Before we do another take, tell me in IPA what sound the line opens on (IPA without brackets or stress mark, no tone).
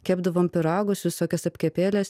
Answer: kʲ